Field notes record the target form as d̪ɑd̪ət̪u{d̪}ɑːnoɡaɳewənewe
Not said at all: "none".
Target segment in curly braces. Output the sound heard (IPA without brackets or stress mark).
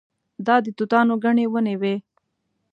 t̪